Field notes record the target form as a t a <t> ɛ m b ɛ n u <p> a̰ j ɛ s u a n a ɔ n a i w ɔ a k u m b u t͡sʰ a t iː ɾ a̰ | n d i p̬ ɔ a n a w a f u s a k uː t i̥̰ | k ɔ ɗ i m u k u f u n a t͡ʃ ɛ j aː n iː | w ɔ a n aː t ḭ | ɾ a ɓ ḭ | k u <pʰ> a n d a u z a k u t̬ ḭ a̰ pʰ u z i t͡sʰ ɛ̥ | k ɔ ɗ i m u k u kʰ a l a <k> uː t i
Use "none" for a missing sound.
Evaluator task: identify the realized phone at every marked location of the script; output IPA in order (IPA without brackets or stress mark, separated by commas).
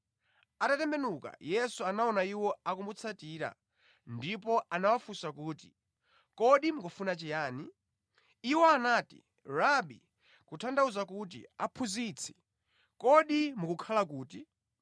t, k, tʰ, k